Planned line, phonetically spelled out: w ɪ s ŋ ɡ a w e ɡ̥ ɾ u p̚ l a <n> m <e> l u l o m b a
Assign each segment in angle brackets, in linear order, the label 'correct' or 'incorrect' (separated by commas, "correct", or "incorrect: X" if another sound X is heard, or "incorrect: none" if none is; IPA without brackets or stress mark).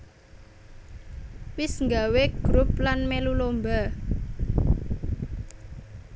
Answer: correct, correct